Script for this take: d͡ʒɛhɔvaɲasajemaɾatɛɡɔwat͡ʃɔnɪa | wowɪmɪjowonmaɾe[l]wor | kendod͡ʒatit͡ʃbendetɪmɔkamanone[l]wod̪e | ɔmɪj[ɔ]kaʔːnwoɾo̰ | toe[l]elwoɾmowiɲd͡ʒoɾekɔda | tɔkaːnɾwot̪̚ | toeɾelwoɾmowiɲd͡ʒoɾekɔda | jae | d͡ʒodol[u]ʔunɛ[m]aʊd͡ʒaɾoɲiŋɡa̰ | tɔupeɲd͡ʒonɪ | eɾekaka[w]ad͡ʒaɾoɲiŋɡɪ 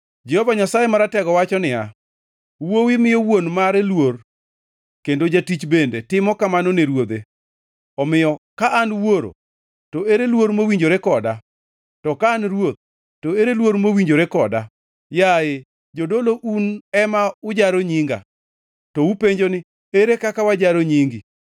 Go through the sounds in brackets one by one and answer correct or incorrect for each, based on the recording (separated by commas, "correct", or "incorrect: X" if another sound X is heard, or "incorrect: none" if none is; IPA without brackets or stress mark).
correct, incorrect: ɾ, correct, incorrect: ɾ, incorrect: o, correct, correct